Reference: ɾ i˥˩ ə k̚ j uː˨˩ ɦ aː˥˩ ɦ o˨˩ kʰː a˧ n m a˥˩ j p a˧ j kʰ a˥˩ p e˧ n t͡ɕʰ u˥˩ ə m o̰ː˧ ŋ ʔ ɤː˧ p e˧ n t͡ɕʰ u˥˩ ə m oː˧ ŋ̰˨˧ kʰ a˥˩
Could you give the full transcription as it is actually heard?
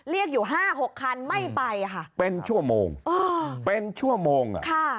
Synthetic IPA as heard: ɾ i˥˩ ə k̚ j uː˨˩ ɦ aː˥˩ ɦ o˨˩ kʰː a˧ n m a˥˩ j p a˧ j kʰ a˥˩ p e˧ n t͡ɕʰ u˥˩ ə m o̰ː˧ ŋ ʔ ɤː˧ p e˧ n t͡ɕʰ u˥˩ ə m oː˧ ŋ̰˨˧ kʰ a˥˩